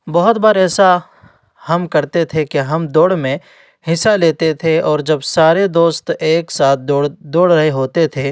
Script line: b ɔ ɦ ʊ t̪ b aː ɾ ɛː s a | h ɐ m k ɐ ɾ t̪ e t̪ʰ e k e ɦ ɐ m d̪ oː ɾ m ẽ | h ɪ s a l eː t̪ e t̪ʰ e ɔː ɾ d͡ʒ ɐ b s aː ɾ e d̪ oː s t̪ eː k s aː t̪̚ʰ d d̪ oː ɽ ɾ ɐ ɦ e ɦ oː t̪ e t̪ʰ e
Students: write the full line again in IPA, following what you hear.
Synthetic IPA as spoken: b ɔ ɦ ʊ t̪ b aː ɾ ɛː s a | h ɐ m k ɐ ɾ t̪ e t̪ʰ e k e ɦ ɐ m d̪ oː ɽ m ẽ | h ɪ s a l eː t̪ e t̪ʰ e ɔː ɾ d͡ʒ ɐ b s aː ɾ e d̪ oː s t̪ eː k s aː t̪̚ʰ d d̪ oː ɽ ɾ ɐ ɦ e ɦ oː t̪ e t̪ʰ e